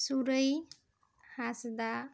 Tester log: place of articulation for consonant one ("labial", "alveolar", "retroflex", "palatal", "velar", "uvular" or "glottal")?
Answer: alveolar